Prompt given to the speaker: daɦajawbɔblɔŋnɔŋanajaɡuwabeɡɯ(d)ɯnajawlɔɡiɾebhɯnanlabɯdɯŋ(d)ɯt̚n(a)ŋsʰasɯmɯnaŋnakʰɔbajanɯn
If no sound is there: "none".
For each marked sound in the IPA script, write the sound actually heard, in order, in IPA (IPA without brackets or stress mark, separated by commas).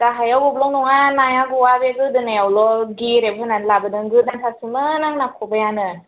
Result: d, ɡ, a